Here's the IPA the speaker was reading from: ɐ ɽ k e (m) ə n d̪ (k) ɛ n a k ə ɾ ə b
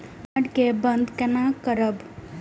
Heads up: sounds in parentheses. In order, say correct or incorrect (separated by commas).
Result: incorrect, correct